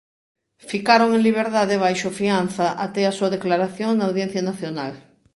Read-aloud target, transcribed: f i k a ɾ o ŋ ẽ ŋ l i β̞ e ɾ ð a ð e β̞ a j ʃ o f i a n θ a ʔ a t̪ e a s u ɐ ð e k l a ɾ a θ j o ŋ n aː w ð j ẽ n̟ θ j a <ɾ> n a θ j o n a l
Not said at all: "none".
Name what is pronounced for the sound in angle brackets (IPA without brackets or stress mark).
none